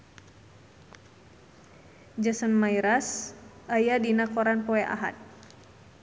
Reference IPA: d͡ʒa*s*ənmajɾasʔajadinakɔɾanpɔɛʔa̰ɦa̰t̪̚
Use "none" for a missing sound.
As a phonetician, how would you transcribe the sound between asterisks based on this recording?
s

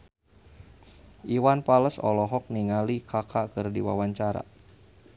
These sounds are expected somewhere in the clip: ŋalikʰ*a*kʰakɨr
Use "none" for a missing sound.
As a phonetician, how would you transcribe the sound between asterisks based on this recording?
a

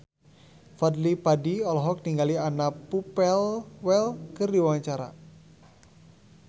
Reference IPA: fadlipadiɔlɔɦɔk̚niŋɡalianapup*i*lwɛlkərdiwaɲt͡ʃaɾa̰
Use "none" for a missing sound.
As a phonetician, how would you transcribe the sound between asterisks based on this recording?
ɛ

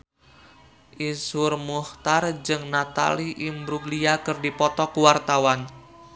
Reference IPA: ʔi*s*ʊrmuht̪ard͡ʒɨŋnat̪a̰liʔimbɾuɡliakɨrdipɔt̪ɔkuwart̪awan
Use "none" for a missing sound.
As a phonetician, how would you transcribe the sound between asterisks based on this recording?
s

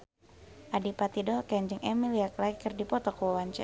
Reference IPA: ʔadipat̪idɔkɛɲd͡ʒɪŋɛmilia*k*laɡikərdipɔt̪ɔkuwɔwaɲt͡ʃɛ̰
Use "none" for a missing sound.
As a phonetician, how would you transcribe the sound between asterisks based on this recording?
k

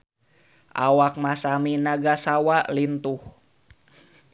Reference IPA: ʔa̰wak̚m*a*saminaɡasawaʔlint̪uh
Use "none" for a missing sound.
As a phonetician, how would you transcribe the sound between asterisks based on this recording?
a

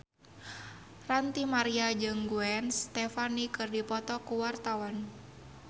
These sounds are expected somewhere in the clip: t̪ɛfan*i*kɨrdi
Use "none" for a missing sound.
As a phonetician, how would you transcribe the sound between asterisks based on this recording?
i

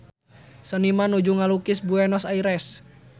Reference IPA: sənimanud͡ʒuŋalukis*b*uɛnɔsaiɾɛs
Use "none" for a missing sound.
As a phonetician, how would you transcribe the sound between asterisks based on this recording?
b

